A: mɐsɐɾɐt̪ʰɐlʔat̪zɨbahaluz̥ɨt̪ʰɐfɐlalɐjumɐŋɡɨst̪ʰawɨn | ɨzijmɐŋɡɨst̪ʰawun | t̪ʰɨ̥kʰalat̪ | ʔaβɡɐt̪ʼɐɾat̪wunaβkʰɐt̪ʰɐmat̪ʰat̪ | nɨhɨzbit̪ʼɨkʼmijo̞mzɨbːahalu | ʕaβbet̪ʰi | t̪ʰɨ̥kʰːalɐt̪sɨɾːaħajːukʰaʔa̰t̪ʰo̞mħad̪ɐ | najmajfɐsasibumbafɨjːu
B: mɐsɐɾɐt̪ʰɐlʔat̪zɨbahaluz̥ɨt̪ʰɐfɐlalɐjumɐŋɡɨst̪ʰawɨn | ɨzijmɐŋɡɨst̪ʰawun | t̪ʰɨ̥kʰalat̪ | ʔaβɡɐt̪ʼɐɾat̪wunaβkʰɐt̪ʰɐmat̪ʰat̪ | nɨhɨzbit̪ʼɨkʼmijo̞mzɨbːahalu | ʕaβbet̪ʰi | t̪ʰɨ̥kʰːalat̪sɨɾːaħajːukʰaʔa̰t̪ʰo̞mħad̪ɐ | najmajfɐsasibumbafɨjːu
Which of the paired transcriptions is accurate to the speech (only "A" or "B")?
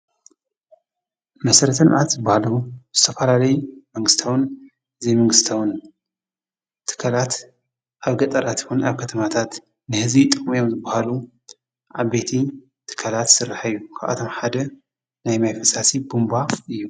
B